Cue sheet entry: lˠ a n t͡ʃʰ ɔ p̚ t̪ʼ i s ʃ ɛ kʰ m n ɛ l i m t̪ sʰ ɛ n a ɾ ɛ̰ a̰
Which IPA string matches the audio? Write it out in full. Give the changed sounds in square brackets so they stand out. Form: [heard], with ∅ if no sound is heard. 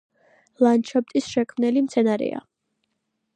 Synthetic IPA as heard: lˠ a n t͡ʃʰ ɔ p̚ t̪ʼ i s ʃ ɛ kʰ m n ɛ l i m t̪ sʰ ɛ n a ɾ ɛ̰ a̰